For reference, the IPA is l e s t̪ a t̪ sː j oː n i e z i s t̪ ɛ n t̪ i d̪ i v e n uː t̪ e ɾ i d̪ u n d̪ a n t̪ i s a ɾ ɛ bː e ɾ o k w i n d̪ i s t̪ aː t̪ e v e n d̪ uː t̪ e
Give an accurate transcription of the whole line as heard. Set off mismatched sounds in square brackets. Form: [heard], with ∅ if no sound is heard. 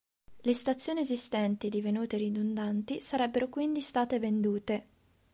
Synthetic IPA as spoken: l e s t̪ a t̪ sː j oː n i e z i s t̪ ɛ n t̪ i d̪ i v e n uː t̪ e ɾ i d̪ u n d̪ a n t̪ i s a ɾ ɛ bː e ɾ o k w i n d̪ i s t̪ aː t̪ e v e n d̪ uː t̪ e